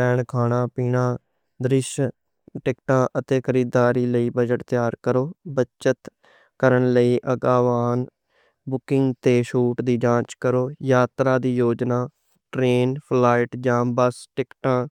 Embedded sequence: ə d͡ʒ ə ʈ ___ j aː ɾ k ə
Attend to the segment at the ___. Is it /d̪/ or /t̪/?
t̪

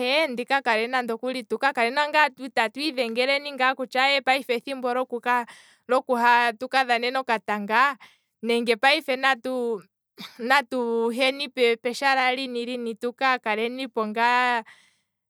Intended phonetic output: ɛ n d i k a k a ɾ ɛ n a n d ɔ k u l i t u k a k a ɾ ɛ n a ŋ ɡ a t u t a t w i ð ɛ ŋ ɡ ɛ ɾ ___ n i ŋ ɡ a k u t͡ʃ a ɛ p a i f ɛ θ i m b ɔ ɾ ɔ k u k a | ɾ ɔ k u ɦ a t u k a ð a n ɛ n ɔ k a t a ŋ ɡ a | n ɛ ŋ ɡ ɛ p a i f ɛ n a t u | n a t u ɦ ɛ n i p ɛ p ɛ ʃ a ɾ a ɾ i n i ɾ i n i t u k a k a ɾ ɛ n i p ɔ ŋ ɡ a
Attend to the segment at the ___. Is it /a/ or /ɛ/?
ɛ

